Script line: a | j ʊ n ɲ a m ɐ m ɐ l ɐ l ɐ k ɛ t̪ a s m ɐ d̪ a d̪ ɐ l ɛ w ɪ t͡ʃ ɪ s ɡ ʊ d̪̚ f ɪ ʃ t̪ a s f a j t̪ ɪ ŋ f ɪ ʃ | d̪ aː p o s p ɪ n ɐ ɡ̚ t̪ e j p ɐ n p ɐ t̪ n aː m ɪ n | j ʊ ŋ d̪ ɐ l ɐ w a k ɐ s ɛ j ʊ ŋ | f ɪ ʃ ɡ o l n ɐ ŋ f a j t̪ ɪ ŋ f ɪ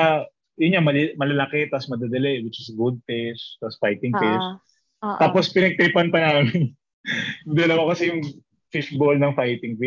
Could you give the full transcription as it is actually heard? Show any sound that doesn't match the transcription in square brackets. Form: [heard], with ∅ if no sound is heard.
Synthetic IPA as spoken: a | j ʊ n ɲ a m ɐ m ɐ l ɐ l ɐ k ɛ t̪ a s m ɐ d̪ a d̪ ɐ l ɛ w ɪ t͡ʃ ɪ s ɡ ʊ d̪̚ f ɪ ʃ t̪ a s f a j t̪ ɪ ŋ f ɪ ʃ | [t̪] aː p o s p ɪ n ɐ ɡ̚ t̪ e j p ɐ n p ɐ [∅] n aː m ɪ n | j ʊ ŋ d̪ ɐ l ɐ w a k ɐ s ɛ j ʊ ŋ | f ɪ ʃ [b] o l n ɐ ŋ f a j t̪ ɪ ŋ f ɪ